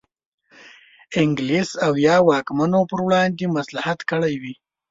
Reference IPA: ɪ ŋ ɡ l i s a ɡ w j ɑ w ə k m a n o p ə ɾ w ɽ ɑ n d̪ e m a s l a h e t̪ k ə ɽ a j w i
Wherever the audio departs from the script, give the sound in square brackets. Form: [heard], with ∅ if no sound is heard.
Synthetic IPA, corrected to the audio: ɪ ŋ ɡ l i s a [∅] w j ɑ w [ɑ] k m a n o p ə ɾ w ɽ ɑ n d̪ e m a s l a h [a] t̪ k ə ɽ a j w i